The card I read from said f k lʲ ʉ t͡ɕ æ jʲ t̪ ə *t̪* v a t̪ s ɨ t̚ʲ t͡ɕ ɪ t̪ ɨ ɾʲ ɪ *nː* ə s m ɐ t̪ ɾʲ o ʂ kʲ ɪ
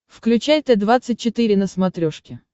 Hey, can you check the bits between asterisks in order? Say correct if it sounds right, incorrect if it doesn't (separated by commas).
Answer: incorrect, incorrect